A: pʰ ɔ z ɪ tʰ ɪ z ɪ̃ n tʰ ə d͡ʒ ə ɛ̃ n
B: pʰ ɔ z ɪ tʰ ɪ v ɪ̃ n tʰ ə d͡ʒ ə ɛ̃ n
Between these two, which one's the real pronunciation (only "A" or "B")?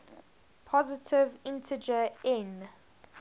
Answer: B